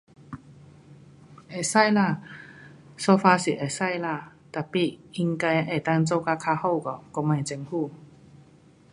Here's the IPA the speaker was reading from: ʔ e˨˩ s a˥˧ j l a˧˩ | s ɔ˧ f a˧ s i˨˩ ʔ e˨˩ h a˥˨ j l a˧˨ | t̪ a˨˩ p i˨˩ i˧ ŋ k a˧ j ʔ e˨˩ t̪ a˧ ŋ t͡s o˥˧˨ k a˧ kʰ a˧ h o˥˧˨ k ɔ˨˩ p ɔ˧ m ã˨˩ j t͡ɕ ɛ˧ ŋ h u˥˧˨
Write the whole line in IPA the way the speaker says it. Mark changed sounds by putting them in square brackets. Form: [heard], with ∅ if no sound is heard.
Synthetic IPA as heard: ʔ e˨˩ s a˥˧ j l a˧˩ | s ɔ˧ f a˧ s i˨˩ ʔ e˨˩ [s] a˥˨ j l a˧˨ | t̪ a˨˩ p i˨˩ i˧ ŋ k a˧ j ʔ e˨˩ t̪ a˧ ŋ t͡s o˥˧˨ k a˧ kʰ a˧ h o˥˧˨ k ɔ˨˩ [k] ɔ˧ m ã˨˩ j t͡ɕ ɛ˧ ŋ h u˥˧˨